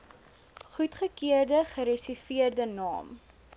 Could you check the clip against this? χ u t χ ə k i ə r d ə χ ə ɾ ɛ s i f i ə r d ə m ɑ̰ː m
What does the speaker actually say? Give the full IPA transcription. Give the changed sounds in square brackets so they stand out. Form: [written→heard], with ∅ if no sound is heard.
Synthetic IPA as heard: χ u t χ ə k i ə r d ə χ ə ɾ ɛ s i f i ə r d ə [m→n] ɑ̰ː m